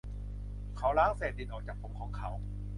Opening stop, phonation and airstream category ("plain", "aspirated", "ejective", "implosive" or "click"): aspirated